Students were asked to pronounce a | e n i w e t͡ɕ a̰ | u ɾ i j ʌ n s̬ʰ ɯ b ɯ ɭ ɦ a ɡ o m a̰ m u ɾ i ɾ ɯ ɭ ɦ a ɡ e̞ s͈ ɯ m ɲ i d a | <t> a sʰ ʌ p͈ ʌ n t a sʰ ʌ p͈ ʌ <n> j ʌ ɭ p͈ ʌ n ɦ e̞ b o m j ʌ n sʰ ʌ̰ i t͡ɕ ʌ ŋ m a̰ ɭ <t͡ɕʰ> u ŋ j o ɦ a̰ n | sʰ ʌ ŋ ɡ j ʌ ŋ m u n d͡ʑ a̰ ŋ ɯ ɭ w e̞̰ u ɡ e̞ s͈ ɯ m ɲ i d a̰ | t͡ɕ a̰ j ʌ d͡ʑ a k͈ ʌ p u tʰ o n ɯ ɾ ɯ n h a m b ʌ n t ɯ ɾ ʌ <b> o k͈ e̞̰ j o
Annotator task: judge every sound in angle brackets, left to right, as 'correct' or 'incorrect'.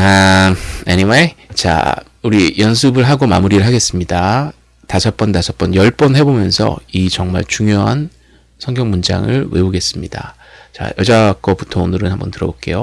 correct, correct, incorrect: t͡ɕ, correct

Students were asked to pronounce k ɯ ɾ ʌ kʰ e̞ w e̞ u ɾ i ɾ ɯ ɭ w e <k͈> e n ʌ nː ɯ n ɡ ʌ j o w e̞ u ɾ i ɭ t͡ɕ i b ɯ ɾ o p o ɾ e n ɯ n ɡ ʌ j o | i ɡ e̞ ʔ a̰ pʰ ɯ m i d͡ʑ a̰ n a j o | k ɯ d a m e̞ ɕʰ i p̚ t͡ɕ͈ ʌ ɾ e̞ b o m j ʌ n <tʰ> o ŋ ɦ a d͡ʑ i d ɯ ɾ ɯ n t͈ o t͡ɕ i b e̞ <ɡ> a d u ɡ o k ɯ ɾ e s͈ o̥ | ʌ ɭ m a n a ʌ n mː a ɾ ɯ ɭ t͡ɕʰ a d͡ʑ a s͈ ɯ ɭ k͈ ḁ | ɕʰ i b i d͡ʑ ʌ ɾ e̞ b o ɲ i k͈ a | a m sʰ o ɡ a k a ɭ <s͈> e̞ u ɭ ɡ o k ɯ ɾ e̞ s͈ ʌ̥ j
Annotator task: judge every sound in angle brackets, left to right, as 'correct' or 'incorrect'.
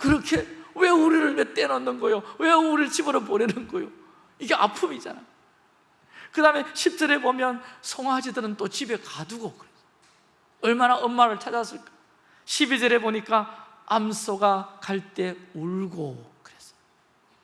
incorrect: t͈, incorrect: sʰ, incorrect: k, incorrect: t͈

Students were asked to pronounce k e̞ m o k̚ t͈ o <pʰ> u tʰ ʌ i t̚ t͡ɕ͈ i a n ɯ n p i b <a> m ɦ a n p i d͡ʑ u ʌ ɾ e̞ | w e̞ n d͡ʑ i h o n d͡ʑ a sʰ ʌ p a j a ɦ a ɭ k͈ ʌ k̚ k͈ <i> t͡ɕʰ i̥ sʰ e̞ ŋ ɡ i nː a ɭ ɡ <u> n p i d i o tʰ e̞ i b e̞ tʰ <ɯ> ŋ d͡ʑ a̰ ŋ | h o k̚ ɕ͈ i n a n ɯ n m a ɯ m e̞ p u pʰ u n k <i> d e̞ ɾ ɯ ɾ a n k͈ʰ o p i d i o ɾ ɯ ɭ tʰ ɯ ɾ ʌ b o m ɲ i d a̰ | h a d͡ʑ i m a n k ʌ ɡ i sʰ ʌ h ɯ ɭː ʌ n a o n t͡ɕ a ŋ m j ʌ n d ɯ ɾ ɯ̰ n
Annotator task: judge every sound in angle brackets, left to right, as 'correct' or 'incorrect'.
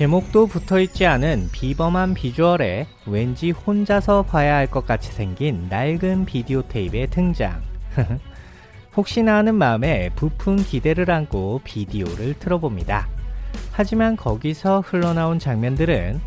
incorrect: p, incorrect: ʌ, incorrect: a, incorrect: ɯ, correct, correct

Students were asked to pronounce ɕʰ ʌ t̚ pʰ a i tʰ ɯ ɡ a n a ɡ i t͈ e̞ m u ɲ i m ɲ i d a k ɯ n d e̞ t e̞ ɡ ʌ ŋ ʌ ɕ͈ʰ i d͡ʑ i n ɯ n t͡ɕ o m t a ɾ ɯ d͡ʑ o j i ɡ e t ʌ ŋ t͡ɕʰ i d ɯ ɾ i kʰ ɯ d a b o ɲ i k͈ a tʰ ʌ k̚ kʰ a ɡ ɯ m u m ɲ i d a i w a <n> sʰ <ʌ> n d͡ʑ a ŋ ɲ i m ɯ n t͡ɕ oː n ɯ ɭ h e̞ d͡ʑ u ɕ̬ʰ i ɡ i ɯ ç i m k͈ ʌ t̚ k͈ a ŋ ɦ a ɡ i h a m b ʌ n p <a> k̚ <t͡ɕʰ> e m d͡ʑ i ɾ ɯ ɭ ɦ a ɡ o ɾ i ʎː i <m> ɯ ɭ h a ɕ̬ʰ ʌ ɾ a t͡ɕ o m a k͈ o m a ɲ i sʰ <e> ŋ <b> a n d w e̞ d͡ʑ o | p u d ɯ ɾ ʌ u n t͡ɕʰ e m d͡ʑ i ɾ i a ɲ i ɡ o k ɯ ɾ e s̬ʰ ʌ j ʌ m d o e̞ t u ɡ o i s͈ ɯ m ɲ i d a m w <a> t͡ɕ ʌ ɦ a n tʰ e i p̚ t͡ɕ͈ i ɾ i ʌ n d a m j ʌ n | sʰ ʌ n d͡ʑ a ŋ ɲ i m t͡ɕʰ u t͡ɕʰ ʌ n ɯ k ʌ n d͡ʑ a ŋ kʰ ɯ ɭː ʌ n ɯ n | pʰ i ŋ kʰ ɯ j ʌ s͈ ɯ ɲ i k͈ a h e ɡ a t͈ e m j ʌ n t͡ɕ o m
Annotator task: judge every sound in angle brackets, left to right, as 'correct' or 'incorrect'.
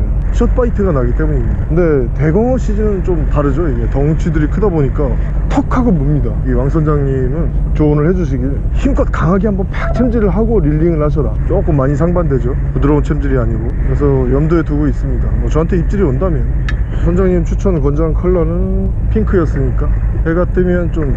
incorrect: ŋ, correct, correct, correct, incorrect: ŋ, incorrect: a, correct, incorrect: ʌ

